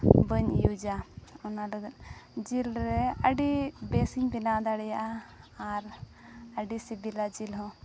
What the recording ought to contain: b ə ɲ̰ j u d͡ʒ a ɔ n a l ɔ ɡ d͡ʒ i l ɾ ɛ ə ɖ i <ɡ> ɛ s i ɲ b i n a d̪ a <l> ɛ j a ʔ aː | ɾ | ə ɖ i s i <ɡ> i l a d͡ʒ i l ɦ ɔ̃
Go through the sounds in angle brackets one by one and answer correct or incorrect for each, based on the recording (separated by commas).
incorrect, incorrect, incorrect